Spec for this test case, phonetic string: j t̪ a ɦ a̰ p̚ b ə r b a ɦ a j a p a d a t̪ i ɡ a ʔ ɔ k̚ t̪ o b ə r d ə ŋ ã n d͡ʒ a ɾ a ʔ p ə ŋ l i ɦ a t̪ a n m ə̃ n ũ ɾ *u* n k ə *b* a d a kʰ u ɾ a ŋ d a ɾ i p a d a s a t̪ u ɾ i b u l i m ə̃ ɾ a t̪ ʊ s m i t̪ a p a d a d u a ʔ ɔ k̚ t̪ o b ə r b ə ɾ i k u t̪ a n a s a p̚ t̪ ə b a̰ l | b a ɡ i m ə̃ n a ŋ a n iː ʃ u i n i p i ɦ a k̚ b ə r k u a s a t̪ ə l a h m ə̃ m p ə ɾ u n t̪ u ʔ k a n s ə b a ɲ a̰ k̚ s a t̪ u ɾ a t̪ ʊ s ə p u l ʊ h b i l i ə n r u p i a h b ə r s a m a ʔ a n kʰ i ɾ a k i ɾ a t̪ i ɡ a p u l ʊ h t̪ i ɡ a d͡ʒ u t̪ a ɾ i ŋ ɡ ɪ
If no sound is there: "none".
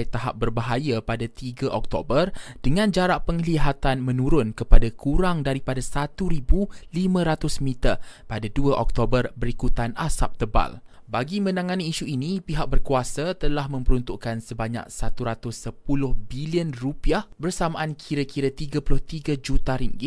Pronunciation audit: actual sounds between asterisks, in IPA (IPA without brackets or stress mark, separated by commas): ʊ, p